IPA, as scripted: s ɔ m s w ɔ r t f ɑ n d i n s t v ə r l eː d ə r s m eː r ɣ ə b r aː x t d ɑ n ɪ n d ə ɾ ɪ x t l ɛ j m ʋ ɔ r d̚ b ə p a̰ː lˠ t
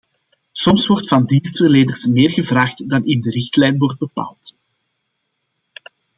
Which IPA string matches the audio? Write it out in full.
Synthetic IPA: s ɔ m s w ɔ r t f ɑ n d i n s t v ə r l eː d ə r s m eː r ɣ ə v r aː x t d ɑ n ɪ n d ə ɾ ɪ x t l ɛ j n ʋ ɔ r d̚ b ə p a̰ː lˠ t